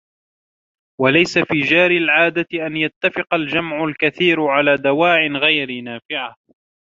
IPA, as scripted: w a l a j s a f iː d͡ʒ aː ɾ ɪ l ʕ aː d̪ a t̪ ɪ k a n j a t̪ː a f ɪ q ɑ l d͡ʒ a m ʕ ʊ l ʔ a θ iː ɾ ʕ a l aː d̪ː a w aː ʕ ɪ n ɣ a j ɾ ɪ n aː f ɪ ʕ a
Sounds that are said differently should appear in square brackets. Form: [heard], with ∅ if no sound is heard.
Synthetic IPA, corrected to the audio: w a l a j s a f iː d͡ʒ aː ɾ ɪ l ʕ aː d̪ a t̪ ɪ [ʔ] a n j a t̪ː a f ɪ q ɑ l d͡ʒ a m ʕ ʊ l [k] a θ iː ɾ ʕ a l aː [d̪] a w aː ʕ ɪ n ɣ a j ɾ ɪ n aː f ɪ ʕ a